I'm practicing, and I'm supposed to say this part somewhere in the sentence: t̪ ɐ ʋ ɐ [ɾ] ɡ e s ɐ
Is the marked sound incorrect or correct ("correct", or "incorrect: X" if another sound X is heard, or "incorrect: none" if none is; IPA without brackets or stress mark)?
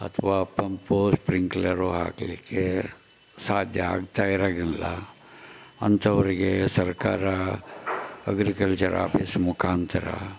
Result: correct